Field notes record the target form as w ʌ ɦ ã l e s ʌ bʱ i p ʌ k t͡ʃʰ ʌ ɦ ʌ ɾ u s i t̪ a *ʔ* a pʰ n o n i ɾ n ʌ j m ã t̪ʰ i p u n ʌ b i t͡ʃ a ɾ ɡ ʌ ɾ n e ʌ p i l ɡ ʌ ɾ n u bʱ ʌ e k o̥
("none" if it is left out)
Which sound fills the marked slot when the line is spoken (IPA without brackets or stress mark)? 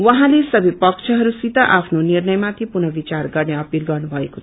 ʔ